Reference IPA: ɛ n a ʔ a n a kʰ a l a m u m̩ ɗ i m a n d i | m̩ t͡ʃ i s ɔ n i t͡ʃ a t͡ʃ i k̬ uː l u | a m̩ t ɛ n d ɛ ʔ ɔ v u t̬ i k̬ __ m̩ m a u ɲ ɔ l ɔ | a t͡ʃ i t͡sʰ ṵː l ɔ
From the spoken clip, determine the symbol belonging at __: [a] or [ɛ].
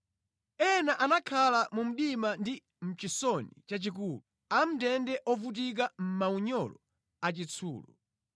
a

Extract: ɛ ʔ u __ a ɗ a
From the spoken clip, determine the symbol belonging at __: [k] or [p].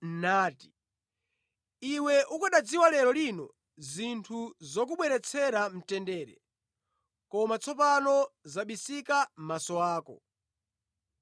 k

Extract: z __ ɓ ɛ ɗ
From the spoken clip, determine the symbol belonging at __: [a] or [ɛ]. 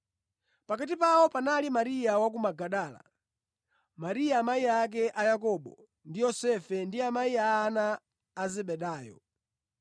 ɛ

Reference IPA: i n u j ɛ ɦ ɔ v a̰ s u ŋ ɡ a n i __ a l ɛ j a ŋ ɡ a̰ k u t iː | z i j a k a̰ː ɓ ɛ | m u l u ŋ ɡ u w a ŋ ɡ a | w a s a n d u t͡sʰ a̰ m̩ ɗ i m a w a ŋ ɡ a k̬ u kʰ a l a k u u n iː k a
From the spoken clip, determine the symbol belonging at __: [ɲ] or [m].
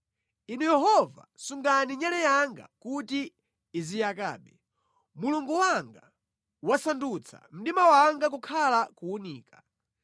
ɲ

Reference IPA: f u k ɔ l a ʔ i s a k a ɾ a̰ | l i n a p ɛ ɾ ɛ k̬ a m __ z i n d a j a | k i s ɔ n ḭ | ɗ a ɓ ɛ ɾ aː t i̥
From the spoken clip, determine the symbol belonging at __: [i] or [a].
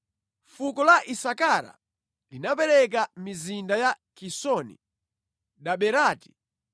i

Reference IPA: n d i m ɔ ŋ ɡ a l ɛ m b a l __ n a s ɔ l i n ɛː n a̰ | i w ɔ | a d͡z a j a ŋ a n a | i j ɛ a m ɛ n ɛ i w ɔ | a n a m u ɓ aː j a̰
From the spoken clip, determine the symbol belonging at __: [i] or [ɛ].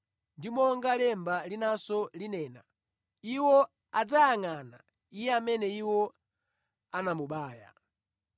i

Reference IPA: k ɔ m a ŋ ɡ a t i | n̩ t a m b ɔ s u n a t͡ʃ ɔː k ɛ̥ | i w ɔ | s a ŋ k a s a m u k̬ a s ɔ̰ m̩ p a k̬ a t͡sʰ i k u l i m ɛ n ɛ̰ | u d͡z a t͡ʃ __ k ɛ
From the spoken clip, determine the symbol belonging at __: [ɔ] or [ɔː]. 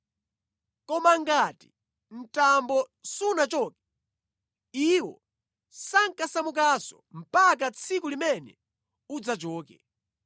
ɔː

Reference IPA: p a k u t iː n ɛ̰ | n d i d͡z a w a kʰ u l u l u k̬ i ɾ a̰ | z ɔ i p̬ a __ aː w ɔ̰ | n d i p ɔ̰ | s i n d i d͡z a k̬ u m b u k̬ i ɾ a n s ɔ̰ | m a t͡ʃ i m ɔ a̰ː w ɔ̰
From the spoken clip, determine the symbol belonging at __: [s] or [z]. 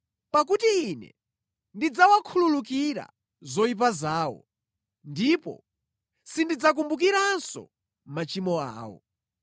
z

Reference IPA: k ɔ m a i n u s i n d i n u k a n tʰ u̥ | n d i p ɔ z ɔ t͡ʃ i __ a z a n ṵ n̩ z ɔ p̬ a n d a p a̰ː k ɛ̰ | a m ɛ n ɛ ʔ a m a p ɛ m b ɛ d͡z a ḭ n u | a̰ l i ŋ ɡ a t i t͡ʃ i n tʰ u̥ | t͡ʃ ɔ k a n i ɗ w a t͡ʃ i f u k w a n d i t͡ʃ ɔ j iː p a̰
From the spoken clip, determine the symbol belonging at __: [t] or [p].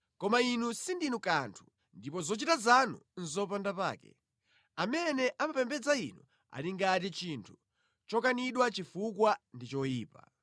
t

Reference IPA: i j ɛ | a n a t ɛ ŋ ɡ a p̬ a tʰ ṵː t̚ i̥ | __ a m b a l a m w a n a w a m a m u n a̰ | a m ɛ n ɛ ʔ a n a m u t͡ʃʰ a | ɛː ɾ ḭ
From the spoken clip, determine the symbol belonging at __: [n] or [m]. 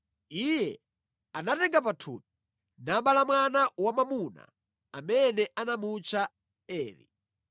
n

